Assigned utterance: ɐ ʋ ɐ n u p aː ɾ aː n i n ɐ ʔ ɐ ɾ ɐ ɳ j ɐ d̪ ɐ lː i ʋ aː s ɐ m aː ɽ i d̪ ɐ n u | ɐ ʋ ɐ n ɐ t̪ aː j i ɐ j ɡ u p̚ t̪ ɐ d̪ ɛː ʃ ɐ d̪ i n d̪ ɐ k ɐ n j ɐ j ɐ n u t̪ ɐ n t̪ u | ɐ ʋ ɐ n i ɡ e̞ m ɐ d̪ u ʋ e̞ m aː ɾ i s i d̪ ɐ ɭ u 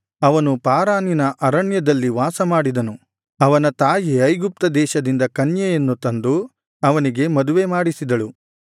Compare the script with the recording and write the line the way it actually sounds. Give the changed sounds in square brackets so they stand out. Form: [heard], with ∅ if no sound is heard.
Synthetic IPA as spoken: ɐ ʋ ɐ n u p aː ɾ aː n i n ɐ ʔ ɐ ɾ ɐ ɳ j ɐ d̪ ɐ lː i ʋ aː s ɐ m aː ɽ i d̪ ɐ n u | ɐ ʋ ɐ n ɐ t̪ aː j i ɐ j ɡ u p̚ t̪ ɐ d̪ ɛː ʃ ɐ d̪ i n d̪ ɐ k ɐ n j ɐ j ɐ [nː] u t̪ ɐ n [d̪] u | ɐ ʋ ɐ n i ɡ e̞ m ɐ d̪ u ʋ e̞ m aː [ɽ] i s i d̪ ɐ ɭ u